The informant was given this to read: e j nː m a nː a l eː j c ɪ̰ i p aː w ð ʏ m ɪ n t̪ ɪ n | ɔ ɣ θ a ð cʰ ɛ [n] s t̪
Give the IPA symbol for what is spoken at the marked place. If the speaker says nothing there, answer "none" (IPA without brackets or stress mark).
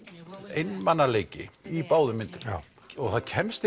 m